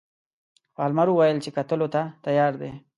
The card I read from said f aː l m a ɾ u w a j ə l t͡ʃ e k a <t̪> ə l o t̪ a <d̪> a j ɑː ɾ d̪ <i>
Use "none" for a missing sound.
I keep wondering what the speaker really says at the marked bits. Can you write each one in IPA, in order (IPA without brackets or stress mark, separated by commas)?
t̪, t̪, e